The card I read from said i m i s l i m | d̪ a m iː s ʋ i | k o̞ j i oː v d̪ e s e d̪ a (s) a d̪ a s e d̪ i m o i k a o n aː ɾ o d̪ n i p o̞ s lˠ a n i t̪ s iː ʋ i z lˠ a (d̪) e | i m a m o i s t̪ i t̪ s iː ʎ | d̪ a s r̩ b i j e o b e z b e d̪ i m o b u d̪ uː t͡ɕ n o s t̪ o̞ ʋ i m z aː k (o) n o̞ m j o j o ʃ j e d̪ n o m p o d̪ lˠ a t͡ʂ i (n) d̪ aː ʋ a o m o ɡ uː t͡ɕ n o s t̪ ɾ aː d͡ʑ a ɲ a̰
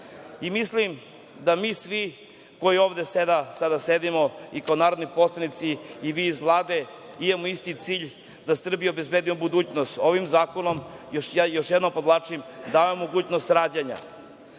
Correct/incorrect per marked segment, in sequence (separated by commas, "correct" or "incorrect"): correct, correct, correct, incorrect